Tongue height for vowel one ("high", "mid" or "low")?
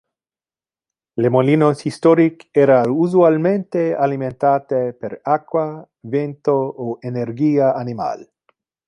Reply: mid